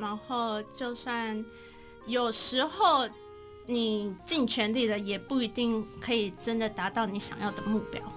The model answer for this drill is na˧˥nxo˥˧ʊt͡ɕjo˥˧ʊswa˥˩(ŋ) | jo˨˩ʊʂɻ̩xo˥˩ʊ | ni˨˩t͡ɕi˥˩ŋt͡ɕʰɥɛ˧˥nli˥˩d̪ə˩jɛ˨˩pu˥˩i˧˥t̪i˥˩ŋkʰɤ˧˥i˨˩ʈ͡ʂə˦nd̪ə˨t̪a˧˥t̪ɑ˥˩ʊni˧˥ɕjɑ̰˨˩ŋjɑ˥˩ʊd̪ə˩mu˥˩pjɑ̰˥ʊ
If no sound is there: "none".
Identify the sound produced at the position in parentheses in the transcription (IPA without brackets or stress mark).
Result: n